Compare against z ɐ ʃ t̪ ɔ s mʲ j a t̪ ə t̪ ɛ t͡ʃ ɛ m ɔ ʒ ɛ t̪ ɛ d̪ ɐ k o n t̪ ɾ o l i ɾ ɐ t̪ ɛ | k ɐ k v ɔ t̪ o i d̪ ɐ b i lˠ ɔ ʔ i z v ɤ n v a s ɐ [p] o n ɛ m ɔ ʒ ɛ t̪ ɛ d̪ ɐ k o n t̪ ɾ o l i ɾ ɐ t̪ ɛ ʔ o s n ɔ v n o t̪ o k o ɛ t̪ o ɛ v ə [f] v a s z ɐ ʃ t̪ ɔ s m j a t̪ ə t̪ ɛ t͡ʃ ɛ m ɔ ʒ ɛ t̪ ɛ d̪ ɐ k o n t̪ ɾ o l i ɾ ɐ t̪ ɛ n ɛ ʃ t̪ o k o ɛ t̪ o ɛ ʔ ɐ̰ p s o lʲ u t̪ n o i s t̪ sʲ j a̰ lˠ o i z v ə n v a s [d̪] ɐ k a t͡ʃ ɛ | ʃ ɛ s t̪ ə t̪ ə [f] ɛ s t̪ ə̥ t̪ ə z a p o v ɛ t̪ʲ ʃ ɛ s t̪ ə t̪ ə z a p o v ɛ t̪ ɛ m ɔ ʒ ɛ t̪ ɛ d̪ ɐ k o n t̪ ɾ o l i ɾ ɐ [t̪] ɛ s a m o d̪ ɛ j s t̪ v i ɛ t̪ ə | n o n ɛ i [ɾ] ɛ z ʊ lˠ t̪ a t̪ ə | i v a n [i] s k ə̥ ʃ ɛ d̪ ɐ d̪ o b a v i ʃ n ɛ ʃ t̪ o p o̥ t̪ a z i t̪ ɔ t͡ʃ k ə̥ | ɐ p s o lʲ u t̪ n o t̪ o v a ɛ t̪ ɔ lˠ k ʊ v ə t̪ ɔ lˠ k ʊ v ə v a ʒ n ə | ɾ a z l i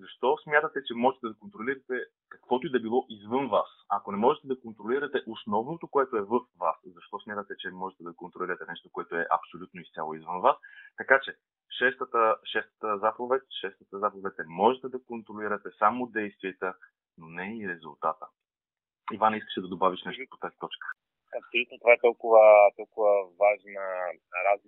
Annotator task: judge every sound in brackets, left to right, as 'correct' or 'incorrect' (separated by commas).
incorrect, correct, incorrect, incorrect, correct, correct, correct